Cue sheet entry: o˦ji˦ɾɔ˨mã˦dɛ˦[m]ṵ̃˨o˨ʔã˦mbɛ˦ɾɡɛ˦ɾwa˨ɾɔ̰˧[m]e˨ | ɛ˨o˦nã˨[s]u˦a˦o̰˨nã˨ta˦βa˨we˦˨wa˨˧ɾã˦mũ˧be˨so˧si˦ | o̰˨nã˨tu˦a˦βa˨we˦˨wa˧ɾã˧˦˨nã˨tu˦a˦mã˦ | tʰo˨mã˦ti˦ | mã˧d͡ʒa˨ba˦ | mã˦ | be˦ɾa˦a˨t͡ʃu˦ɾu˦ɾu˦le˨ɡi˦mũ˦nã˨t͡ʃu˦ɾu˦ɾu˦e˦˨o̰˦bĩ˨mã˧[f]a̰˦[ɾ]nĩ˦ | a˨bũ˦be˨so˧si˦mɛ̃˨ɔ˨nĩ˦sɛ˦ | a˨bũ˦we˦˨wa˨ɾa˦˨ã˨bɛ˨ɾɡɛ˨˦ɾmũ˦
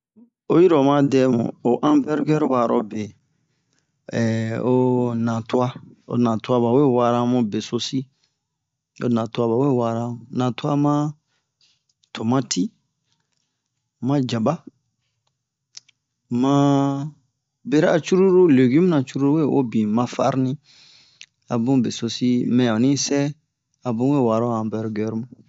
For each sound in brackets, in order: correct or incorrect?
correct, incorrect: b, incorrect: t, correct, correct

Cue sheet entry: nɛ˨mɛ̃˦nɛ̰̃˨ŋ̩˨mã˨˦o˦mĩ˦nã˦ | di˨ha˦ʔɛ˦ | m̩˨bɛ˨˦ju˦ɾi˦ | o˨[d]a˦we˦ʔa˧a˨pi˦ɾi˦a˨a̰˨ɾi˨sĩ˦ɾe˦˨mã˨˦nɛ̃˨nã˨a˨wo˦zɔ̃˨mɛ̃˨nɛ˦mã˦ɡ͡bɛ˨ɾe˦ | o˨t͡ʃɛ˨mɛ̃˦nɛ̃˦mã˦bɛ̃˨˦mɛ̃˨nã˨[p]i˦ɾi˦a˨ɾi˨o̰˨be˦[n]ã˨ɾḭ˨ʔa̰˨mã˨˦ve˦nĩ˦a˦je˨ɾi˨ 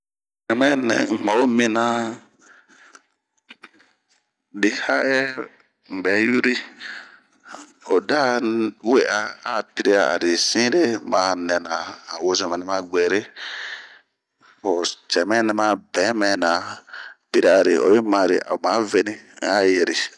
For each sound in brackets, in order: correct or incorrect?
correct, correct, incorrect: m

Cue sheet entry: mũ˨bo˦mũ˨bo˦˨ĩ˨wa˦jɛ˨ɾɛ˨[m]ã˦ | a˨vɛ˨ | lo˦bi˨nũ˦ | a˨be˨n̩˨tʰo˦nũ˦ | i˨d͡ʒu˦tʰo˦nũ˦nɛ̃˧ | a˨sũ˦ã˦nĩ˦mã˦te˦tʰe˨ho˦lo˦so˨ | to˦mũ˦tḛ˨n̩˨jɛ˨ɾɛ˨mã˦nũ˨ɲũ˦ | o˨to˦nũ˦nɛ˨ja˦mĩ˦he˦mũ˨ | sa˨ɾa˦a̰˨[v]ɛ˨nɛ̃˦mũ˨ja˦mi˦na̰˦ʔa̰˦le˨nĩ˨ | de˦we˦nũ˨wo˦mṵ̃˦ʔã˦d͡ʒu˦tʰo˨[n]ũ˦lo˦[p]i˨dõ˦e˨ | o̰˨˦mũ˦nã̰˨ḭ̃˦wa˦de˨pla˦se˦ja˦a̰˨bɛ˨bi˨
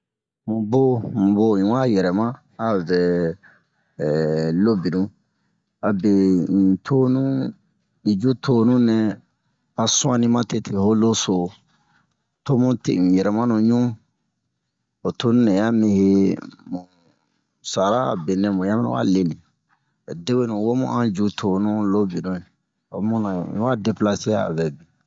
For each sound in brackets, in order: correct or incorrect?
correct, incorrect: b, correct, incorrect: b

